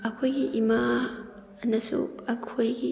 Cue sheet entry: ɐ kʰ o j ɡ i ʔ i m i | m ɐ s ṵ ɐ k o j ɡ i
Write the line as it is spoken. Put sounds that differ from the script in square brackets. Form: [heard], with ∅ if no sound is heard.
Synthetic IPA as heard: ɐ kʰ o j ɡ i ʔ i m [a] | [n] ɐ s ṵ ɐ [kʰ] o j ɡ i